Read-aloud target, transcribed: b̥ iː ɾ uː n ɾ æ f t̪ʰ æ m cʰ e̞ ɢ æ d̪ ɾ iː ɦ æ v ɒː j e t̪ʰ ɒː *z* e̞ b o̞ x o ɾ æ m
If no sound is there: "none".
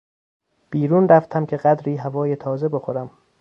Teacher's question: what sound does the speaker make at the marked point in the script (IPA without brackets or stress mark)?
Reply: z